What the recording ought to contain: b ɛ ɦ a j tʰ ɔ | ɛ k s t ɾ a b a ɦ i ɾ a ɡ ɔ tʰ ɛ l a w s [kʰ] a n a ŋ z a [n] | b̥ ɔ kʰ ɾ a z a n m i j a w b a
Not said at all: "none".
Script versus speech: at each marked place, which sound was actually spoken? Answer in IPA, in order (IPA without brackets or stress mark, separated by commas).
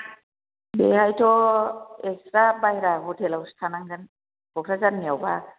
tʰ, n